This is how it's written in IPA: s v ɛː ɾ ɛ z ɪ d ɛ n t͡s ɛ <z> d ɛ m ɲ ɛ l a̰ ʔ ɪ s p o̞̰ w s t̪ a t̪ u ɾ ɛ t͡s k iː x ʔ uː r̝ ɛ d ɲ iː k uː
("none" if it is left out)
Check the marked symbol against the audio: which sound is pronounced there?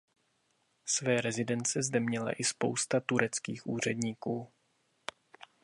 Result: z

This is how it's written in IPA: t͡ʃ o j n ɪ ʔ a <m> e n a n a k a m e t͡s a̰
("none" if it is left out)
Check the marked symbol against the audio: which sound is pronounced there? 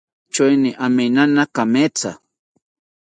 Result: m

